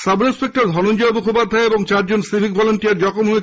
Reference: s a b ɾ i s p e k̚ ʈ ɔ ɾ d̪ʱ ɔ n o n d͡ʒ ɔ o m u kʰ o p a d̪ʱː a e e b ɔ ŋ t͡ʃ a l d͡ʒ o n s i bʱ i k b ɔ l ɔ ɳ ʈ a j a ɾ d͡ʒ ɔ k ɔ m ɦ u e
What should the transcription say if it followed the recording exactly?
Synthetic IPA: s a b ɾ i s p e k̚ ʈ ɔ ɾ d̪ʱ ɔ n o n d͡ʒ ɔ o m u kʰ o p a d̪ʱː a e e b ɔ ŋ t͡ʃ a ɾ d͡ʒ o n s i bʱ i k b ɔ l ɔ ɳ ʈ i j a ɾ d͡ʒ ɔ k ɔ m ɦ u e